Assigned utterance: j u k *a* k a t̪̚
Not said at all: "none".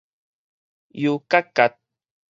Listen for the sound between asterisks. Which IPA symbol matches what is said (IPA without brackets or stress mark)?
a